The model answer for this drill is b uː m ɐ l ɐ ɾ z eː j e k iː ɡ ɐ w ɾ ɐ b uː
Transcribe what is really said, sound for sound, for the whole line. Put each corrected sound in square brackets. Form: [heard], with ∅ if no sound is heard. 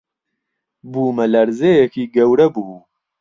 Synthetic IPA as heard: b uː m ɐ l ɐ ɾ z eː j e k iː ɡ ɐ w ɾ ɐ b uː